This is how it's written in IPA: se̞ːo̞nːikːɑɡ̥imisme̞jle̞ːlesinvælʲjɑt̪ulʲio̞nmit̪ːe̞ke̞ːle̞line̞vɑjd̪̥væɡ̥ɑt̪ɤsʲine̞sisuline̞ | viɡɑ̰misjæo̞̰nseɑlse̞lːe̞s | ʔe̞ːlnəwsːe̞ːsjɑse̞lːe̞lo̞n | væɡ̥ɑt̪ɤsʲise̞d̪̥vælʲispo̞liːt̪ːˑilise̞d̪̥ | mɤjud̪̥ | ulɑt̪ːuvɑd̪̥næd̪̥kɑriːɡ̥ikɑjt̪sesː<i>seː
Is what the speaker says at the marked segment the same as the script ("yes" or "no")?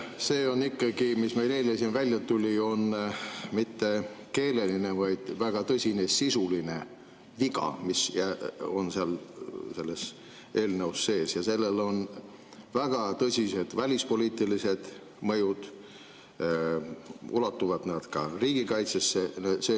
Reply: no